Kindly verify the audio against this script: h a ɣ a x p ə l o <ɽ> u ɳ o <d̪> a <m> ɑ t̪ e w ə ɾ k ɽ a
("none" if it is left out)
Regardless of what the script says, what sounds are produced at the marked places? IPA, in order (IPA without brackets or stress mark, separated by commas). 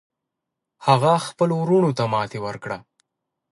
ɾ, t̪, m